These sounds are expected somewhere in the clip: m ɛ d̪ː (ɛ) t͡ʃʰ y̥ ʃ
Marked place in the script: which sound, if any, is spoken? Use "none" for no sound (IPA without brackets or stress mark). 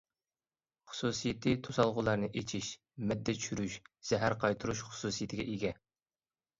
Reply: ɛ